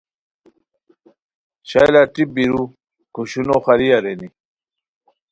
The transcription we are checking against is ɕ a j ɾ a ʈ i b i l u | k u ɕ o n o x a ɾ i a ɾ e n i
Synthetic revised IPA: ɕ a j l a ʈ i b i ɾ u | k u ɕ u n o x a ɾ i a ɾ e n i